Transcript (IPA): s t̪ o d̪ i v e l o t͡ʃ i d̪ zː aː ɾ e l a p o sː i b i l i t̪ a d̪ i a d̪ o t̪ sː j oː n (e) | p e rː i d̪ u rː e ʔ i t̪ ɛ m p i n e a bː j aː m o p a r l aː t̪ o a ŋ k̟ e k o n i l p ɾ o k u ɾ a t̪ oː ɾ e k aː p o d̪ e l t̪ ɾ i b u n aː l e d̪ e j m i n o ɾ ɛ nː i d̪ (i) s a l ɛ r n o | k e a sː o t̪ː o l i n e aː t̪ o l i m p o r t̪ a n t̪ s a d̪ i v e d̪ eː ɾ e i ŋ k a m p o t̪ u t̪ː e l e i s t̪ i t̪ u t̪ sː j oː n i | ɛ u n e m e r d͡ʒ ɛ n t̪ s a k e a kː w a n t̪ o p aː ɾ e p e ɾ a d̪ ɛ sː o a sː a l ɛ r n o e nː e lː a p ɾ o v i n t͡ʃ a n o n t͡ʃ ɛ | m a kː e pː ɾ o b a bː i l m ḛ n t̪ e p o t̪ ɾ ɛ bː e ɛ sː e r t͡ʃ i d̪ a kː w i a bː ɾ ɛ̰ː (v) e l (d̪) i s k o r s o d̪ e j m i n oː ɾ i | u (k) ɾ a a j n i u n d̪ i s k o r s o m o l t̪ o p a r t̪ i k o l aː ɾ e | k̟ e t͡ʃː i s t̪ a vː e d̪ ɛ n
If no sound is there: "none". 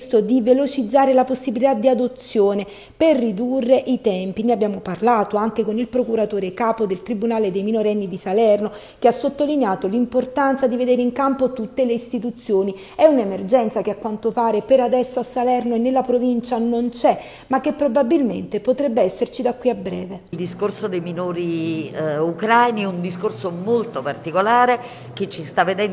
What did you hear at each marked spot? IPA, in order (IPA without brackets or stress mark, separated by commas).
e, i, v, d̪, k